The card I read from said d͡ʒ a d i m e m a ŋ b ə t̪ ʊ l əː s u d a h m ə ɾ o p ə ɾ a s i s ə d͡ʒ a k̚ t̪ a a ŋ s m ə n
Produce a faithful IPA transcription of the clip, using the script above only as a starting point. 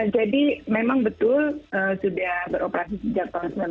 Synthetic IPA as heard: d͡ʒ a d i m e m a ŋ b ə t̪ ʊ l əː s u d a h b ə ɾ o p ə ɾ a s i s ə d͡ʒ a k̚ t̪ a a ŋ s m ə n